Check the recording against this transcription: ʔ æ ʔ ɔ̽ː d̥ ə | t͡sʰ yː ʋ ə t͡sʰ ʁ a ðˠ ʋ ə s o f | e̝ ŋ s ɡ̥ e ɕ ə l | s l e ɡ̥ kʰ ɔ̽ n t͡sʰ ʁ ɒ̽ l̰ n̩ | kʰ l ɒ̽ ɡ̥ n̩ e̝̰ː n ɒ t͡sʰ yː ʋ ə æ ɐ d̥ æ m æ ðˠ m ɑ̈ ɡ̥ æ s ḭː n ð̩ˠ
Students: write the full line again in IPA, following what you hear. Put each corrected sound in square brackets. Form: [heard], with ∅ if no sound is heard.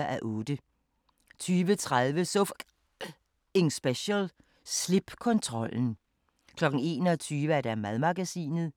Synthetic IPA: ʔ æ ʔ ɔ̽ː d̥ ə | t͡sʰ yː ʋ ə t͡sʰ ʁ a ðˠ ʋ ə s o f | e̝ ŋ s [b̥] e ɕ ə l | s l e [b̥] kʰ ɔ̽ n t͡sʰ ʁ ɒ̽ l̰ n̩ | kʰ l ɒ̽ ɡ̥ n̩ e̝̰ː n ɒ t͡sʰ yː ʋ ə æ ɐ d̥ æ m æ ðˠ m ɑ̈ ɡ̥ æ s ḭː n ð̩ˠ